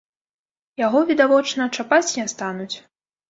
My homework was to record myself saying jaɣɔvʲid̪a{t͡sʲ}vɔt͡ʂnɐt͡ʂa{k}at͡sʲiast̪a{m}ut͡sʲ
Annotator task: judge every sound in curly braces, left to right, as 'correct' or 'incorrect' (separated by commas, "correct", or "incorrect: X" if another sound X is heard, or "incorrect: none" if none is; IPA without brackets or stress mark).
incorrect: none, incorrect: p, incorrect: n